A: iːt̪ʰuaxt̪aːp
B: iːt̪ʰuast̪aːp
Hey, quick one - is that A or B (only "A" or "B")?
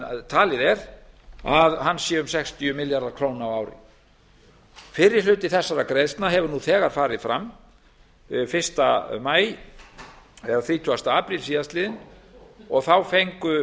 B